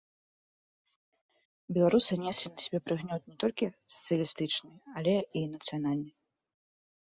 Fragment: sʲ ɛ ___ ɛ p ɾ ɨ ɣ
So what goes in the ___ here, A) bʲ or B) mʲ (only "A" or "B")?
A